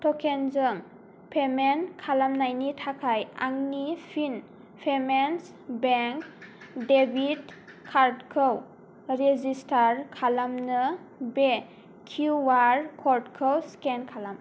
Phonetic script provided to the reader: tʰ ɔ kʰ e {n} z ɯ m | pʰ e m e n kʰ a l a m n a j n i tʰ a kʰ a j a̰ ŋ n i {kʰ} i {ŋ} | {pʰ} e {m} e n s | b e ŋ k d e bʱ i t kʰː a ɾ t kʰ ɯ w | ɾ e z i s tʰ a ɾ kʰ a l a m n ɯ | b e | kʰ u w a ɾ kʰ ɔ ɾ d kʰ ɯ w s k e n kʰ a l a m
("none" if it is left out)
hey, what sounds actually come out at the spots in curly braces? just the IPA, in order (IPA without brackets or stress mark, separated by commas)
n, pʰ, n, pʰ, m